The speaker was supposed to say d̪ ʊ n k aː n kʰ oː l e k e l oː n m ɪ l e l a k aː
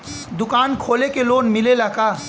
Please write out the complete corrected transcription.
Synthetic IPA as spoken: d̪ ʊ k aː n kʰ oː l e k e l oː n m ɪ l e l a k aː